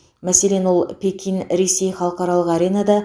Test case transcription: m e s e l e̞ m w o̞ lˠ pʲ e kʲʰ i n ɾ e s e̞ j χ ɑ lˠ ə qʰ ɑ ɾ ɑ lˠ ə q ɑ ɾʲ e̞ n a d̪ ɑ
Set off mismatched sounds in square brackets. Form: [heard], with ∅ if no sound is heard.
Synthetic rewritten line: m [æ] s e l e̞ [n] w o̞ lˠ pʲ e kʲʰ i n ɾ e s e̞ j χ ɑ lˠ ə [q] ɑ ɾ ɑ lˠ ə q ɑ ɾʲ e̞ n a d̪ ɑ